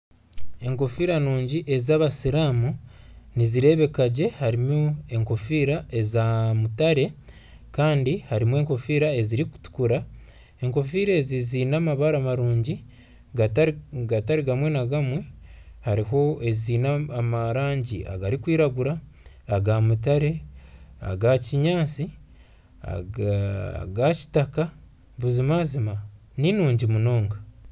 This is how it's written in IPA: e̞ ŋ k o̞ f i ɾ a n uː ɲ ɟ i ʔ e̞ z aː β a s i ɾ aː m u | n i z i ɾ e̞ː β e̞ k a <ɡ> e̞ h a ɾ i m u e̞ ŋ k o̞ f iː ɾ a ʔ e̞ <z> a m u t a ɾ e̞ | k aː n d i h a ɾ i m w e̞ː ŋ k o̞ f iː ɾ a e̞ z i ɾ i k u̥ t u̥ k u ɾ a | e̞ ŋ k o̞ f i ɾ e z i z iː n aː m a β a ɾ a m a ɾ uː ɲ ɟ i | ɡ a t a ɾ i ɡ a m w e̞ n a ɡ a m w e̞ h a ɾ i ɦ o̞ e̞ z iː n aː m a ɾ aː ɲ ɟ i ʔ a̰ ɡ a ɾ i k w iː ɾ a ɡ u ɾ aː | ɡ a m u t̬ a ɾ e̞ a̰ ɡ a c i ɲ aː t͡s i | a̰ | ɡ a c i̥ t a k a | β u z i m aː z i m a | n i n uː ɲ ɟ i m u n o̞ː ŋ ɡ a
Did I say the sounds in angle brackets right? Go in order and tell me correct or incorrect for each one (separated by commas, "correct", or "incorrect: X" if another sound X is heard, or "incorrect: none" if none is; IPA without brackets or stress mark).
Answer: incorrect: ɟ, correct